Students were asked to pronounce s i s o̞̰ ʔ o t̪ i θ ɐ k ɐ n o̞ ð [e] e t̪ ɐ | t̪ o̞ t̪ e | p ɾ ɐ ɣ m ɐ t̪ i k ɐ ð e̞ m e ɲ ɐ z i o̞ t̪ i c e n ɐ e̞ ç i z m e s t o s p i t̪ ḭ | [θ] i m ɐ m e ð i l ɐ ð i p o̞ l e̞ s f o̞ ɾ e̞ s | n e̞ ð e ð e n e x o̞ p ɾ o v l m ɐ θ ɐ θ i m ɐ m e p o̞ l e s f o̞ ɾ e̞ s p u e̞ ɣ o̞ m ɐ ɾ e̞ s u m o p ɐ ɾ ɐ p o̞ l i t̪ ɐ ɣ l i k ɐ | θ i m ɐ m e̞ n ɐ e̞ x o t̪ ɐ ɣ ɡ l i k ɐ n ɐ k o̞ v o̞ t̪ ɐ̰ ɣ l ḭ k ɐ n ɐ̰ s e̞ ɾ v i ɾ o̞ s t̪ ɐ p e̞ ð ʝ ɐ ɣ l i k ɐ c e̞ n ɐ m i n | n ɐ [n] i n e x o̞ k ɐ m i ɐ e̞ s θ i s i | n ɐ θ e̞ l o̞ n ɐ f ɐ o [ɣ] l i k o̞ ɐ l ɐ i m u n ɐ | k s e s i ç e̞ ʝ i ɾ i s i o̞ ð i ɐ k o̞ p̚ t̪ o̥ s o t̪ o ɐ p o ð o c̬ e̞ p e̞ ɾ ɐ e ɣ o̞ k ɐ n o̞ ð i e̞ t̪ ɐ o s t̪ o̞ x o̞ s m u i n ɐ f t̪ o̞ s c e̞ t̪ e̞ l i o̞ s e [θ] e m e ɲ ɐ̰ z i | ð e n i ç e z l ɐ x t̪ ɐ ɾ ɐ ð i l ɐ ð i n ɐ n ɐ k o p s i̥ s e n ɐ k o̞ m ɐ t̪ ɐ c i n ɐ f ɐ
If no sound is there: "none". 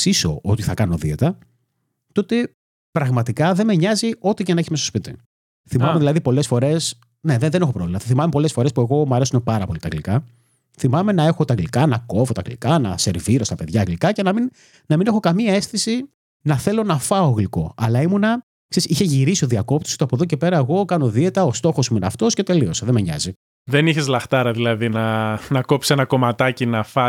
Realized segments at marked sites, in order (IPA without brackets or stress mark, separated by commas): i, θ, m, ɣ, ð